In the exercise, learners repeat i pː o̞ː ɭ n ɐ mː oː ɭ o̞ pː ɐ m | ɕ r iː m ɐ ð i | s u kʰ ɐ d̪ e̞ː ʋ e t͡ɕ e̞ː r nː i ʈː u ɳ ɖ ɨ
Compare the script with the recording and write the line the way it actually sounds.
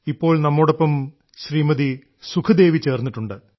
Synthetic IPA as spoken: i pː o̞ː ɭ n ɐ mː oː ɽ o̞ pː ɐ m | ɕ r iː m ɐ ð i | s u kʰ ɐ d̪ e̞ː ʋ i t͡ɕ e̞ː r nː i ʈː u ɳ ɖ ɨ